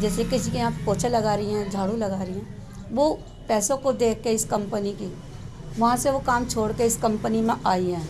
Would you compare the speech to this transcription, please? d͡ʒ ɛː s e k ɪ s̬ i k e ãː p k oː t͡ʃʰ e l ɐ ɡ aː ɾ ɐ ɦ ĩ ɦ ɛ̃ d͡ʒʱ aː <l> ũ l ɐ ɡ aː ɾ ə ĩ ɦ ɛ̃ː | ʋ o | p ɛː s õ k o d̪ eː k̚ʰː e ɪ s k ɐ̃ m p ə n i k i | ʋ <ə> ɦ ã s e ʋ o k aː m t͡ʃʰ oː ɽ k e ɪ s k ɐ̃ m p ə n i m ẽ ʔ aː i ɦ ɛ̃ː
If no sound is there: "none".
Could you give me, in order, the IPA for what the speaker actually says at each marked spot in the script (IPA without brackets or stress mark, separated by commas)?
ɽ, ɐ